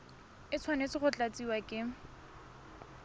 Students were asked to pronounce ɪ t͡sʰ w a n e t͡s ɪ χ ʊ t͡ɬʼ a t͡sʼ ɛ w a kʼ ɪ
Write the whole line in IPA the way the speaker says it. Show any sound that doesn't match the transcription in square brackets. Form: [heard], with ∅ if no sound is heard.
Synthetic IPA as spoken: ɪ t͡sʰ w a n e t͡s ɪ χ ʊ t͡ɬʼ a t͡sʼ [i] w a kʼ ɪ